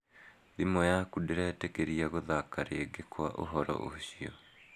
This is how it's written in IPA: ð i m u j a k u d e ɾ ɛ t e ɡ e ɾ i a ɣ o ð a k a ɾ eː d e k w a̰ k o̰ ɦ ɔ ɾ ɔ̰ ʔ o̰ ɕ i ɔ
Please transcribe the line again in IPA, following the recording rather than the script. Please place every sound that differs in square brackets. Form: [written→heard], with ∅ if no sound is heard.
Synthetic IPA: ð i m [u→ɔ] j a k u d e ɾ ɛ t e [ɡ→k] e ɾ i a ɣ o ð a k a ɾ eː [d→ɡ] e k w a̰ [k→ʔ] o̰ ɦ ɔ ɾ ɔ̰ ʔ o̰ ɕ i ɔ

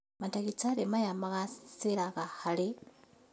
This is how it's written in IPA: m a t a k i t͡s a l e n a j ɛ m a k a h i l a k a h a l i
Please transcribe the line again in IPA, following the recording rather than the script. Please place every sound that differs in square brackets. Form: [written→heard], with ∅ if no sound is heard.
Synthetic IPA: m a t a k i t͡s a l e [n→m] a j [ɛ→a] m a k a [h→s] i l a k a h a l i

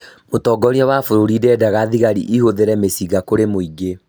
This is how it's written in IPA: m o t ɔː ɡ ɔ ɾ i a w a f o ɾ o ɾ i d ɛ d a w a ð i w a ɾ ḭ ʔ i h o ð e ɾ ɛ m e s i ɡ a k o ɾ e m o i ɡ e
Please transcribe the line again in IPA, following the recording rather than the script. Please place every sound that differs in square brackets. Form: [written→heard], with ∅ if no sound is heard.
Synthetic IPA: m o t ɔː ɡ ɔ ɾ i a w a f o ɾ o ɾ i d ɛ d a [w→ɣ] a ð i [w→ɣ] a ɾ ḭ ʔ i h o ð e ɾ ɛ m e s i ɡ a k o ɾ e m o i ɡ e

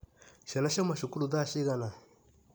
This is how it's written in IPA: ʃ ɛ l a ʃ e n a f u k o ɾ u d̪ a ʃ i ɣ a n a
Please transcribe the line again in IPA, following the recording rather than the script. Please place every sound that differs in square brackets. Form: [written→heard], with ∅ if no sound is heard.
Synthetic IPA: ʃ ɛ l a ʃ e [n→m] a [f→ʃ] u k [o→u] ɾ u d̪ a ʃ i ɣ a n a

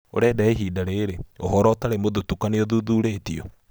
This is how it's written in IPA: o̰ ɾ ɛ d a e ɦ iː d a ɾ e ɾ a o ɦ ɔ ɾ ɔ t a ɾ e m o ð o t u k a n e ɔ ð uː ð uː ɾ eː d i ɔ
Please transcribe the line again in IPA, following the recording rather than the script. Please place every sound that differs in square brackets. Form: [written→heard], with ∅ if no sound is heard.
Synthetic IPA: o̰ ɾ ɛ d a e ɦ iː d a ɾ e ɾ [a→e] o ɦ ɔ ɾ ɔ t a ɾ e m o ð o t u k a n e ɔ ð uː ð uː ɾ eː [d→t] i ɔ

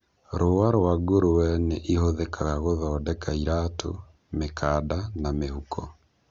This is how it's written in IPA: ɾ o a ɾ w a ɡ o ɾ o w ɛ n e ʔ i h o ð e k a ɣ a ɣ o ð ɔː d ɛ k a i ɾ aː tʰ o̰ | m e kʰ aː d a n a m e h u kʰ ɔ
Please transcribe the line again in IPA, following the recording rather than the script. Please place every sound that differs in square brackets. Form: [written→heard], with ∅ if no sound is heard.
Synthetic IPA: ɾ o a ɾ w a ɡ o ɾ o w ɛ n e ʔ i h o ð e k a ɣ a ɣ o ð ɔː d ɛ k a i ɾ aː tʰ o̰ | m e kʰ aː d a n a m e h u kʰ ɔ

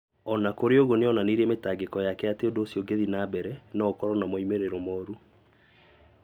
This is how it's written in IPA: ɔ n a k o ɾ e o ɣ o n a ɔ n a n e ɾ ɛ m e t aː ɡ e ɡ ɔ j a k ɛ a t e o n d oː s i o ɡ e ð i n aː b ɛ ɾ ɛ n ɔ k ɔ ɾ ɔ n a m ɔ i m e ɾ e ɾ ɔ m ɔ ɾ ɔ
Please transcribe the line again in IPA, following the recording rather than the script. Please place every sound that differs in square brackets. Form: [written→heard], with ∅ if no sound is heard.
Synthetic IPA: ɔ n a k o ɾ e o ɣ o n [a→e] ɔ n a n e ɾ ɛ m e t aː ɡ e [ɡ→k] ɔ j a k ɛ a t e o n d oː s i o ɡ e ð i n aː b ɛ ɾ ɛ n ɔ k ɔ ɾ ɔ n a m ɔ i m e ɾ e ɾ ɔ m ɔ ɾ [ɔ→u]

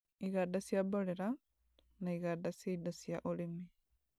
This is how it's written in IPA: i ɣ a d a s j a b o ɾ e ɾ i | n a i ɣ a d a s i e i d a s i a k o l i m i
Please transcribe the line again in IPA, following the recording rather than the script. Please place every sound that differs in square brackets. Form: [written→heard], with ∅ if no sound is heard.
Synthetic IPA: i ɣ a d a s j a b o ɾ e ɾ [i→a] | n a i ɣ a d a s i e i d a s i a [k→ʔ] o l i m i

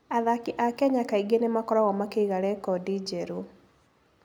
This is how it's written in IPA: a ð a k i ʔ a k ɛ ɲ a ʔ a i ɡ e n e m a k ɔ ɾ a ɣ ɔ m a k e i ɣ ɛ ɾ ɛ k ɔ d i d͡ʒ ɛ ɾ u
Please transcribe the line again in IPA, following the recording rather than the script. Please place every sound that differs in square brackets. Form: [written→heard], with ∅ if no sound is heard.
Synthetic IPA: a ð a k i ʔ a k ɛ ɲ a [ʔ→k] a i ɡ e n e m a k ɔ ɾ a ɣ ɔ m a k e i ɣ [ɛ→a] ɾ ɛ k ɔ d i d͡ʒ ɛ ɾ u

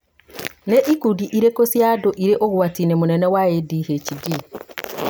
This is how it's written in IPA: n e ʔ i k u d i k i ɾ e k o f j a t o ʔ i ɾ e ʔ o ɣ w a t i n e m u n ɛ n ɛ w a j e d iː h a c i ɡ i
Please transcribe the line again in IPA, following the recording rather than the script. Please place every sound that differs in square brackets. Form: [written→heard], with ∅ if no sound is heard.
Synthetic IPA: n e ʔ i k u d i [k→ʔ] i ɾ e k o [f→s] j a [t→d] o ʔ i ɾ e ʔ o ɣ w a t i n e m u n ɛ n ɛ w a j e d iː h [a→e] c i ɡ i

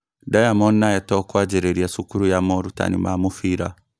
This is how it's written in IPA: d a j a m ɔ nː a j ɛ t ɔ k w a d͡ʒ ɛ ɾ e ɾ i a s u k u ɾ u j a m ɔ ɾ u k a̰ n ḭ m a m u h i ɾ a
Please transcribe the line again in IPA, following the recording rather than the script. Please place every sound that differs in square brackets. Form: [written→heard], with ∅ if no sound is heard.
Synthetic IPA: d a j a m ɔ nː a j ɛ t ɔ k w a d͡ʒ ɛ ɾ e ɾ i a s u k u ɾ u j a m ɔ ɾ u [k→t] a̰ n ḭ m a m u [h→f] i ɾ a

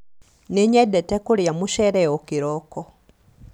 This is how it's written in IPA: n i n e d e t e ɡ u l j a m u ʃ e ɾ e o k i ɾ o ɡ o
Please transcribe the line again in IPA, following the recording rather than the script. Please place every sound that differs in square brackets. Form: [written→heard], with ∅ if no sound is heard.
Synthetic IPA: n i [n→ɲ] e d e t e [ɡ→k] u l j a m u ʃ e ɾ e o k i ɾ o [ɡ→k] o

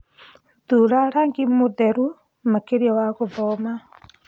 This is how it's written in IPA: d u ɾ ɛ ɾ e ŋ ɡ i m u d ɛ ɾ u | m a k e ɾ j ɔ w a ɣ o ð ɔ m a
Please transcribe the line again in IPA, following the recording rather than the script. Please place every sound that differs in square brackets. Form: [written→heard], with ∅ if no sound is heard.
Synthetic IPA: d u ɾ [ɛ→a] ɾ [e→a] ŋ ɡ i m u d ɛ ɾ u | m a k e ɾ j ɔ w a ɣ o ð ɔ m a

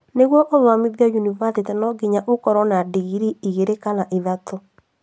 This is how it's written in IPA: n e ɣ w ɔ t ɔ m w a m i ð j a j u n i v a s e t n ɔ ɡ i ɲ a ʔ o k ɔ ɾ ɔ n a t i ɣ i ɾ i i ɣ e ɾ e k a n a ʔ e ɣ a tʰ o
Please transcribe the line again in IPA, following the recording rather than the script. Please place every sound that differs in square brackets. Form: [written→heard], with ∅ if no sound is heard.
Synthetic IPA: n e ɣ w ɔ [t→ʔ] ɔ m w a m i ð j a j u n i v a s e t n ɔ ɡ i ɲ a ʔ o k ɔ ɾ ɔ n a [t→d] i ɣ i ɾ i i ɣ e ɾ e k a n a ʔ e [ɣ→ð] a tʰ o

